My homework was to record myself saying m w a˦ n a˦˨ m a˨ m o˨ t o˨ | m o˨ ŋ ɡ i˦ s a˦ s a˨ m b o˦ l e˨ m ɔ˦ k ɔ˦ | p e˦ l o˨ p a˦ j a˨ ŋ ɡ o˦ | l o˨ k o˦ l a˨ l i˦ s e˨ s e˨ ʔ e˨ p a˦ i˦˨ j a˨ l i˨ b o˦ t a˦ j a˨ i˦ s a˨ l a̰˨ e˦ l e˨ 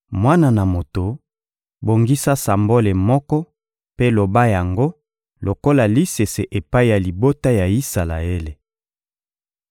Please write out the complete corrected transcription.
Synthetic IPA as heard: m w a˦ n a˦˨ n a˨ m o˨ t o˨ | b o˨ ŋ ɡ i˦ s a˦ s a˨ m b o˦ l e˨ m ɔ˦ k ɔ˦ | p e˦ l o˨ b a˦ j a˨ ŋ ɡ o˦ | l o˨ k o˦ l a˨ l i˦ s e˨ s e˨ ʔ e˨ p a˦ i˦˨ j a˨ l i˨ b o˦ t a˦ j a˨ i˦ s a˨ l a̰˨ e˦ l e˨